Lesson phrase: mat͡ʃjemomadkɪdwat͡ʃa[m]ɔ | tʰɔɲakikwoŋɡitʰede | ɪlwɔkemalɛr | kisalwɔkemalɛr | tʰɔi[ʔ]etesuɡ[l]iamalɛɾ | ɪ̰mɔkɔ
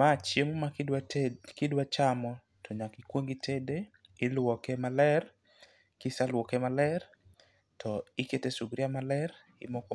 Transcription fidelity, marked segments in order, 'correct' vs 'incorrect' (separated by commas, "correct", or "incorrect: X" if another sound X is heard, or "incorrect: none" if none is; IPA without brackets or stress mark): correct, incorrect: k, incorrect: ɾ